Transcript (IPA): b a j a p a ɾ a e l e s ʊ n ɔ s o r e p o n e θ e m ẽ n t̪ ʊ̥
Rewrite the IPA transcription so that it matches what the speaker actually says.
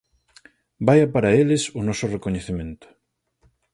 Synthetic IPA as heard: b a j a p a ɾ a e l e s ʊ n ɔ s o r e k o ɲ e θ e m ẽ n t̪ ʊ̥

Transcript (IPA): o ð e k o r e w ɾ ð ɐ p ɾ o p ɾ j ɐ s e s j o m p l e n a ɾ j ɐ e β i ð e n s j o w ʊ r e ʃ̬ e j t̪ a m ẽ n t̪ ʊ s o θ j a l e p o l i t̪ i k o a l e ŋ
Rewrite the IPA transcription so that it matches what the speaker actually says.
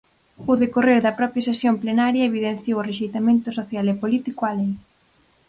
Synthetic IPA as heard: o ð e k o r e ɾ ð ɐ p ɾ ɔ p ɾ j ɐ s e s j o m p l e n a ɾ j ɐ e β i ð e n θ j o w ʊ r e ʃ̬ e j t̪ a m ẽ n t̪ ʊ s o θ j a l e p o l i t̪ i k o a l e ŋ

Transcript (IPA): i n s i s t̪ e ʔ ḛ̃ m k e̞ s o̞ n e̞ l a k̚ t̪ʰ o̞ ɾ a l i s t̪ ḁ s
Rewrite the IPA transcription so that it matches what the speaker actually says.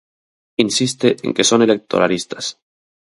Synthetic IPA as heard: i n s i s t̪ e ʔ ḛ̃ ŋ k e̞ s o̞ n e̞ l e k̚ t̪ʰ o̞ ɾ a l i s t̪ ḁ s

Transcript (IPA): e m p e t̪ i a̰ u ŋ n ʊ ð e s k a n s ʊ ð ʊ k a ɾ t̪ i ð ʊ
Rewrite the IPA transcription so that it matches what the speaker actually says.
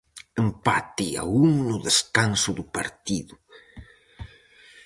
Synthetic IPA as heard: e m p a t̪ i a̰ u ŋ n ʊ ð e s k a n s ʊ ð ʊ p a ɾ t̪ i ð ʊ

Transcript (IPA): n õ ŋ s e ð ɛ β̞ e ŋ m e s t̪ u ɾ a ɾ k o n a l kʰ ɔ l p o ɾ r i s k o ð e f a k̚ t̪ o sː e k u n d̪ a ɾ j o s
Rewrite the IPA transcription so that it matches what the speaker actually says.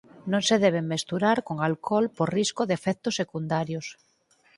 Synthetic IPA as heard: n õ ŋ s e ð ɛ β̞ e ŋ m e s t̪ u ɾ a ɾ k o ŋ a l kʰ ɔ l p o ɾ r i s k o ð e f ɛ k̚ t̪ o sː e k u n d̪ a ɾ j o s

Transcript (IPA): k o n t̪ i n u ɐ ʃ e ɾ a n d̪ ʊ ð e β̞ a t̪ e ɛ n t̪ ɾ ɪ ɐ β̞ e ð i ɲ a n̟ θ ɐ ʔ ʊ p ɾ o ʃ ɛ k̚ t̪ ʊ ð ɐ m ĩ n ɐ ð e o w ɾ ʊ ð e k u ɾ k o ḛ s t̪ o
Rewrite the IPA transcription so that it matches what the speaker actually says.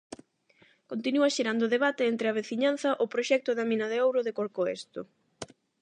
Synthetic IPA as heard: k o n t̪ i n u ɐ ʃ e ɾ a n d̪ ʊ ð e β̞ a t̪ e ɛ n t̪ ɾ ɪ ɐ β̞ e θ i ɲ a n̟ θ ɐ ʔ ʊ p ɾ o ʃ ɛ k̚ t̪ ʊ ð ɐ m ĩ n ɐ ð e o w ɾ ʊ ð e k o ɾ k o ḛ s t̪ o

